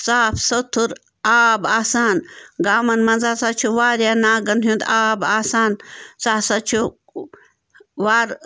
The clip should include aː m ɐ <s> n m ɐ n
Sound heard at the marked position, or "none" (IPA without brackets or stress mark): none